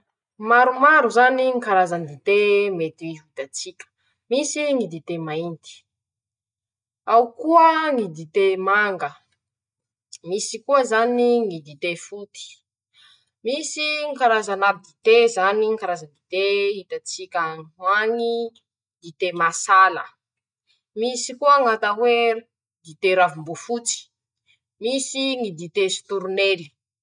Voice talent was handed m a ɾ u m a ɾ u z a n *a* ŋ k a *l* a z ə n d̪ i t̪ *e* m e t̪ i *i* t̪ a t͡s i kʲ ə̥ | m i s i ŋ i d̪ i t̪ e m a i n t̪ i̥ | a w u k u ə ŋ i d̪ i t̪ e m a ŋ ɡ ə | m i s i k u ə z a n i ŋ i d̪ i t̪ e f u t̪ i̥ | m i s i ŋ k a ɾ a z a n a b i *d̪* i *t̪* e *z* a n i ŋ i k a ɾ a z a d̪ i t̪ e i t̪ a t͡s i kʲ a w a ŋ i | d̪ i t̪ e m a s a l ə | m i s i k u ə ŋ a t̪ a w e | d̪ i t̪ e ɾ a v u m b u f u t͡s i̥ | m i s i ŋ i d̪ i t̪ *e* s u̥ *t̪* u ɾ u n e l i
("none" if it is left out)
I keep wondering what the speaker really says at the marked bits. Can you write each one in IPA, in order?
i, ɾ, e, i, d̪, t̪, z, e, t̪

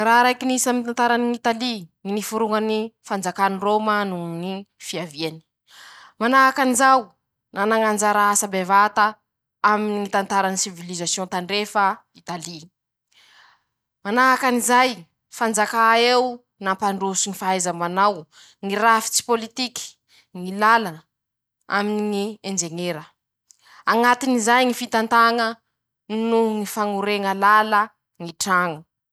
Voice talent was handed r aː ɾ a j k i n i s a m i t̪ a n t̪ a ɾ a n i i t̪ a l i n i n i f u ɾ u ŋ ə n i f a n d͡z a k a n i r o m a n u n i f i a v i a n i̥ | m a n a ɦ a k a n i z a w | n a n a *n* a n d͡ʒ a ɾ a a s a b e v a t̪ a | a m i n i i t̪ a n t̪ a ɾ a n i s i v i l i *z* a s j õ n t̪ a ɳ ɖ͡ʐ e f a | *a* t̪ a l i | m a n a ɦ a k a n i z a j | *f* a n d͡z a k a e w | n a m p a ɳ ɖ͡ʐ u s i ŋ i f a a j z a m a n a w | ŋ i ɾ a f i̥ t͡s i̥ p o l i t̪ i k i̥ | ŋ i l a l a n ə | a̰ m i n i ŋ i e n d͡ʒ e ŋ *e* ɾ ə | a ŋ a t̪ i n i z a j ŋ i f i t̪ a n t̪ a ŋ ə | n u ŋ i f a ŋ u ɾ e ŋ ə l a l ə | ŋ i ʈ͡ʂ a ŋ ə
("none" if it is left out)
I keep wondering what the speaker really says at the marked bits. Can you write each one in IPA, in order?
ŋ, z, i, f, e

